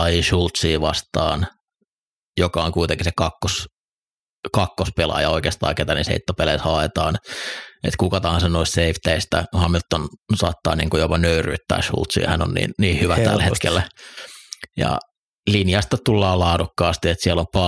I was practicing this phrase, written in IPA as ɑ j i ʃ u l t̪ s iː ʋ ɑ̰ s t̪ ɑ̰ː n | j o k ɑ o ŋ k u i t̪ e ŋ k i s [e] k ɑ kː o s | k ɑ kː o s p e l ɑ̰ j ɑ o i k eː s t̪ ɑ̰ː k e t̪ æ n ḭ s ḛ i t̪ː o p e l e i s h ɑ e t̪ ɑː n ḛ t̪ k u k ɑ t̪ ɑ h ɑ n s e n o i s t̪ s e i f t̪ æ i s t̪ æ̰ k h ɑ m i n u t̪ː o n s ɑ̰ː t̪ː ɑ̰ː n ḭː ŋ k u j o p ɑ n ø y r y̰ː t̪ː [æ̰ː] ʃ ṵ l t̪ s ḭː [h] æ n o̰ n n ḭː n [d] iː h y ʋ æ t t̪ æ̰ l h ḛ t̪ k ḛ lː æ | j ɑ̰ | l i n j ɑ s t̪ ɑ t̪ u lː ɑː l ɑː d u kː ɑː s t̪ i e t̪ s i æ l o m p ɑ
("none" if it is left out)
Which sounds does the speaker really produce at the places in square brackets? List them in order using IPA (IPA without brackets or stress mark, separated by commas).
e, æ̰ː, h, n